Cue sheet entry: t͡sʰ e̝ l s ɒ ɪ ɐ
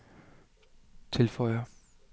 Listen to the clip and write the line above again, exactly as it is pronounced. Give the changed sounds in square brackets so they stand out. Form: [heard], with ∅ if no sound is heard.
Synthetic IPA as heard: t͡sʰ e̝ l [f] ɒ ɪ ɐ